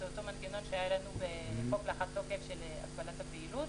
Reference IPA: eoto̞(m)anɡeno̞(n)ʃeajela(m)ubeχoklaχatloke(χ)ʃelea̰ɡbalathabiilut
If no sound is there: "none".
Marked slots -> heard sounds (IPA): m, n, n, f

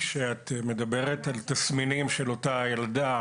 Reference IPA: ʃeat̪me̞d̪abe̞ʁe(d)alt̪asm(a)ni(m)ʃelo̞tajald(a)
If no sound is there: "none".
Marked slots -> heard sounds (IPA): t, i, m, a

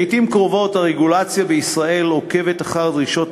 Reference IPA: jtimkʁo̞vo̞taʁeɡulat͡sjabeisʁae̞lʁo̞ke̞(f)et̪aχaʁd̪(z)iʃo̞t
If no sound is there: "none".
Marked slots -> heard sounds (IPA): v, ʁ

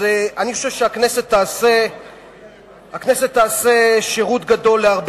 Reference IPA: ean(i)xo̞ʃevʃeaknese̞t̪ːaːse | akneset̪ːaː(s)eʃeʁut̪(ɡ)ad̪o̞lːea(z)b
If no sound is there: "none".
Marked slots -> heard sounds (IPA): i, s, ɡ, ʁ

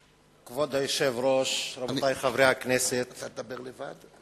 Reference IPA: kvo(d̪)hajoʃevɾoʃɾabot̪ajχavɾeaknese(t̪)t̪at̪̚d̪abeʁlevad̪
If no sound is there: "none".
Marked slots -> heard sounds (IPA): d̪, t̪

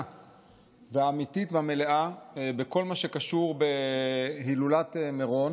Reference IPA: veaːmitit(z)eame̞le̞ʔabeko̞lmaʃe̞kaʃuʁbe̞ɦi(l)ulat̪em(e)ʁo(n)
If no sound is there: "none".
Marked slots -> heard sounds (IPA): v, l, e, n

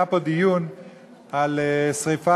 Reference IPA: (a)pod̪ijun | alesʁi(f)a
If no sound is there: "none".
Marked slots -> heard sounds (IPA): a, f

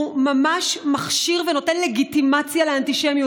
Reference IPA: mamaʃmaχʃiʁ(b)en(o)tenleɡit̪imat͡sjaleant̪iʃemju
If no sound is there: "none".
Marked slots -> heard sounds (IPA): v, o

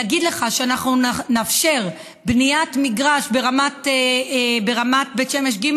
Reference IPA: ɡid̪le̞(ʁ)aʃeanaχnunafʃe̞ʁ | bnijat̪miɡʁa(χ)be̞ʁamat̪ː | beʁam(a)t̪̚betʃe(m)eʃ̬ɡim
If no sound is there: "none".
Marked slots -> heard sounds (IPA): χ, ʃ, a, m

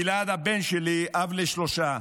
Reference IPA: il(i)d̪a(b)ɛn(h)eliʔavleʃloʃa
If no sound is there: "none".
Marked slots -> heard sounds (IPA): a, b, ʃ

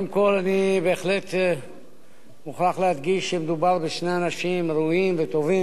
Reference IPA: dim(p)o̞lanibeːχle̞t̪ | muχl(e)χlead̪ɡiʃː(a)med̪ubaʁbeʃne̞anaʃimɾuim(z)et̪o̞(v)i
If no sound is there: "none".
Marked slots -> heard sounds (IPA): k, a, e, v, v

